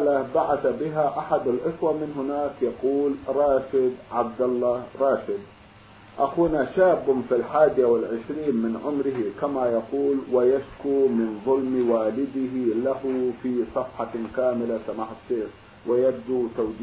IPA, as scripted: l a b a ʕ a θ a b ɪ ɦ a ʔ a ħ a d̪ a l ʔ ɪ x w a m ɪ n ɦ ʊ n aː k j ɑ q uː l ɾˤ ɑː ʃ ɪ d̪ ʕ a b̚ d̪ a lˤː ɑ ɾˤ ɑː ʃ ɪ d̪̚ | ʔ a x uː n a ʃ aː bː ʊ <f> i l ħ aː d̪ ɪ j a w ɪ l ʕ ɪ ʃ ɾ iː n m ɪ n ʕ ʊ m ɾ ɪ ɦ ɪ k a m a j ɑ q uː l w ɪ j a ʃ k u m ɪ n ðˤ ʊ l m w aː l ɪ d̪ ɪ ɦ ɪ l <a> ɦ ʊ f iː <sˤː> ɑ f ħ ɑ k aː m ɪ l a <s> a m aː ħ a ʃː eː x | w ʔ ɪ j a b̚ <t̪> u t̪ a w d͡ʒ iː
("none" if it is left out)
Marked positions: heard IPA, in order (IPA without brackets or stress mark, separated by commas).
f, a, sˤ, s, d̪